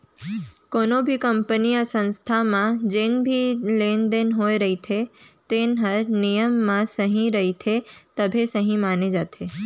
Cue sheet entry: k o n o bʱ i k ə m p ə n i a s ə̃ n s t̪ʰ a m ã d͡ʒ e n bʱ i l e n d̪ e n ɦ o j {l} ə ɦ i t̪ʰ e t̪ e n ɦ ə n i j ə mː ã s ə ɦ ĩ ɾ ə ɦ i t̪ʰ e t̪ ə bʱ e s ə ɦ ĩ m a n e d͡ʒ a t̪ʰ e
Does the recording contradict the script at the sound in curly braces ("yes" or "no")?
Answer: yes